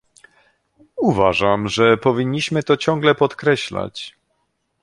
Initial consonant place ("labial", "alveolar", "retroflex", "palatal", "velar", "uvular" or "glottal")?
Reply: labial